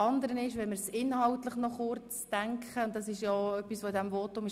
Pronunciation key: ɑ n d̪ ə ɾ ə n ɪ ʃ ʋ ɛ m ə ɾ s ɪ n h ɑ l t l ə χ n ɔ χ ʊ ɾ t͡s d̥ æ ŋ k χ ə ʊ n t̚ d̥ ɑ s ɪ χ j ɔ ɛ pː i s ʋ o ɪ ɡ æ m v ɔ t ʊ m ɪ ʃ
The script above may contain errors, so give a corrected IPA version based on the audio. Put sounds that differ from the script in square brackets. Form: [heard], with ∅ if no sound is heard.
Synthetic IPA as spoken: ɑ n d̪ ə ɾ ə n ɪ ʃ ʋ ɛ m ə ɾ s ɪ n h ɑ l t l ə χ n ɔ χ ʊ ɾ t͡s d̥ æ ŋ k χ ə ʊ n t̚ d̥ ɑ s ɪ [ʃ] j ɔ [œ] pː i s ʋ o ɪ [d] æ m v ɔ t ʊ m ɪ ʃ